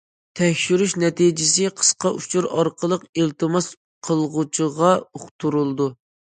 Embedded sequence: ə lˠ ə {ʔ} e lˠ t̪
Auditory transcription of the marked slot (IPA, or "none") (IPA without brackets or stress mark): q